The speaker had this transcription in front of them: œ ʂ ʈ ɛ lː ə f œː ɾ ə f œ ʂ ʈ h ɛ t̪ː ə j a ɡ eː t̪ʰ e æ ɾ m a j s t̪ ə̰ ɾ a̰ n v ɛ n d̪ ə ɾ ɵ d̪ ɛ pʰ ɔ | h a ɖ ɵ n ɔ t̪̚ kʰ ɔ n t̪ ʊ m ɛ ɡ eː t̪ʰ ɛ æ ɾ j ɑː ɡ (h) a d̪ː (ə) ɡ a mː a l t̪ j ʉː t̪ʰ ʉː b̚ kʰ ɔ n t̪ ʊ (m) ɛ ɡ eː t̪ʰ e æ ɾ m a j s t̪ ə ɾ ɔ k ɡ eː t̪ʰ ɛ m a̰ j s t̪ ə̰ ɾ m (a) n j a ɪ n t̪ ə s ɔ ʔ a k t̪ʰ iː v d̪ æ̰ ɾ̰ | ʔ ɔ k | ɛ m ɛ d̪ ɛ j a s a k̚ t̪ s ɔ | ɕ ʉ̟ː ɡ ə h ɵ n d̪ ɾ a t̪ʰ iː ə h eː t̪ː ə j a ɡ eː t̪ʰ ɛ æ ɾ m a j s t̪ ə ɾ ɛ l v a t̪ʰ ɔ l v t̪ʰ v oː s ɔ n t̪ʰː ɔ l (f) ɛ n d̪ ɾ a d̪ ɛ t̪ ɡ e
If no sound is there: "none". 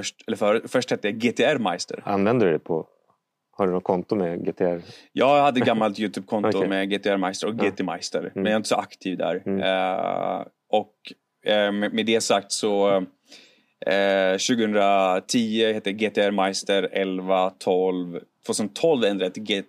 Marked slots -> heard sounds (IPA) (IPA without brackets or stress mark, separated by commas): h, ə, m, ɛ, v